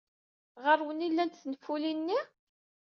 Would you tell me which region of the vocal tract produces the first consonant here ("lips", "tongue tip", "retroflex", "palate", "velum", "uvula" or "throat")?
uvula